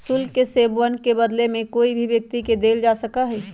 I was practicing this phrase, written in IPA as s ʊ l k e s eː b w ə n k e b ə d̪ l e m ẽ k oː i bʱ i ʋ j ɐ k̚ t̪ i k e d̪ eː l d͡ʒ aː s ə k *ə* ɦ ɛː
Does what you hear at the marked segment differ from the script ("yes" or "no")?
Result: yes